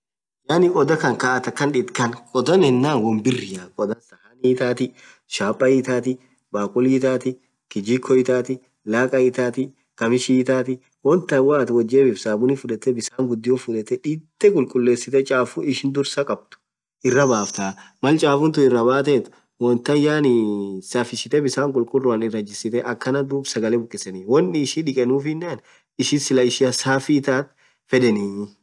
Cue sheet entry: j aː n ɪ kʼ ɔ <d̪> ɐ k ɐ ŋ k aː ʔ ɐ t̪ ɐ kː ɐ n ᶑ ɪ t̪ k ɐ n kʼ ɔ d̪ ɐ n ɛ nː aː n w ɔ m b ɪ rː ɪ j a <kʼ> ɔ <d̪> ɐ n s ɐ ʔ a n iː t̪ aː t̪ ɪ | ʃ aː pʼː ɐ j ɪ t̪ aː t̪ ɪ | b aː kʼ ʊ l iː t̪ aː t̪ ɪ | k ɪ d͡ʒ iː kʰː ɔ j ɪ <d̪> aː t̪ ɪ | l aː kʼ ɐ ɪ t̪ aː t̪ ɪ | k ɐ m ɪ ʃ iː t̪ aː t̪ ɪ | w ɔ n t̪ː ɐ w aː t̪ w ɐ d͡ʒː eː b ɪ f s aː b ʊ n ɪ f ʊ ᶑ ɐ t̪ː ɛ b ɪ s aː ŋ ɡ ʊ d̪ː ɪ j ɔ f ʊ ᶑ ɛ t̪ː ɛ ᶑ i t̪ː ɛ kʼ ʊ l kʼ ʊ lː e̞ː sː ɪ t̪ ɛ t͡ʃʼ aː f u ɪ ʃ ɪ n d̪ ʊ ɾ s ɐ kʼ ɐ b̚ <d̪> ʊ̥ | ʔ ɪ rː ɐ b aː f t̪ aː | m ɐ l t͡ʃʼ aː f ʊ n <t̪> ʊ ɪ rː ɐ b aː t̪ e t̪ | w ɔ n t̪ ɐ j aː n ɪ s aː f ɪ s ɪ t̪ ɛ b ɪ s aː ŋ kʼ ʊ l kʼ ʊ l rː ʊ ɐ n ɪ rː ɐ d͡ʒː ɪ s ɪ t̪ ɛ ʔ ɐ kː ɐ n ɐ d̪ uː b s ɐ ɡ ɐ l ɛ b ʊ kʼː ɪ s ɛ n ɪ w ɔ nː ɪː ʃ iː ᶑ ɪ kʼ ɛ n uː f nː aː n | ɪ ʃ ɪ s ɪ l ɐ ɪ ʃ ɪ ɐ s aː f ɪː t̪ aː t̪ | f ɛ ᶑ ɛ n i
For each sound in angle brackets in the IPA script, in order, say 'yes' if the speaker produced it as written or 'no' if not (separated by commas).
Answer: yes, yes, yes, no, no, yes